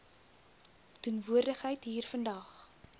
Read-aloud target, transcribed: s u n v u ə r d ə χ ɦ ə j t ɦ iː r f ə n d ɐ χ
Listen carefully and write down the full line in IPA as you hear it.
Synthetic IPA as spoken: t u n v u ə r d ə χ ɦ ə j t ɦ iː r f ə n d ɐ χ